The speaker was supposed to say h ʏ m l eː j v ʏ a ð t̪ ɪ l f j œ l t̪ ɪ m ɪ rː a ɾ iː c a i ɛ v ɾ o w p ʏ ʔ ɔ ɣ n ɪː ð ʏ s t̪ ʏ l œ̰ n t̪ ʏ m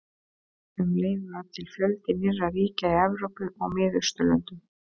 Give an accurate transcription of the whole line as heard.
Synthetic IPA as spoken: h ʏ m l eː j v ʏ a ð t̪ʰ ɪ l f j œ l t̪ ɪ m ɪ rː a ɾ iː c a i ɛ v ɾ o w p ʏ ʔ ɔ ɣ m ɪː ð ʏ s t̪ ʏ l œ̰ n t̪ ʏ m